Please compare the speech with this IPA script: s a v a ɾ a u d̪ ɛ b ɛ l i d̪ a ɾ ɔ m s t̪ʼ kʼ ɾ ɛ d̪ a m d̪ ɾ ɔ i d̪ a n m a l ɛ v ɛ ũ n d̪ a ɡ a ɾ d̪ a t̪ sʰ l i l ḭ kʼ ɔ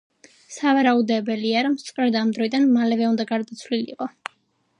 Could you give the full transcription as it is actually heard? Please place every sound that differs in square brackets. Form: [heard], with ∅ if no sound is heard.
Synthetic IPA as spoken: s a v a ɾ a u d̪ ɛ b ɛ l i [∅] a ɾ ɔ m s t̪ʼ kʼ ɾ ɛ d̪ a m d̪ ɾ ɔ i d̪ a n m a l ɛ v ɛ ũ n d̪ a ɡ a ɾ d̪ a t̪ sʰ l i l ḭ [qʼ] ɔ